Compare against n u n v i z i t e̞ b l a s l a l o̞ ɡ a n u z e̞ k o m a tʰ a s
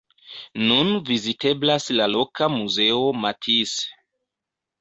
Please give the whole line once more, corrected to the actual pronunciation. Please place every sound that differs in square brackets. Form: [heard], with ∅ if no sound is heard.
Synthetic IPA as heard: n u n v i z i t e̞ b l a s l a l o̞ [k] a [m] u z e̞ [∅] o m a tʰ [i] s

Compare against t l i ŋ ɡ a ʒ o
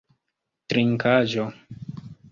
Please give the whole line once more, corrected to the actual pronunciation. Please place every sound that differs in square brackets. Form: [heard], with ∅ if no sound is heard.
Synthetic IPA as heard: t [ɾ] i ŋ [k] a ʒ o

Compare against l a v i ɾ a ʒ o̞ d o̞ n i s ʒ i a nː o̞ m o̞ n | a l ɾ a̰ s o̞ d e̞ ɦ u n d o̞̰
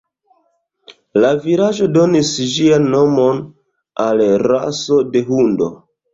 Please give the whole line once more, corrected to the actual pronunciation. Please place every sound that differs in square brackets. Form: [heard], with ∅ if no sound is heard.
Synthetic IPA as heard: l a v i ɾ a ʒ o̞ d o̞ n i s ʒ i a nː o̞ m o̞ n | a l ɾ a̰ s o̞ d e̞ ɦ u n d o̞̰

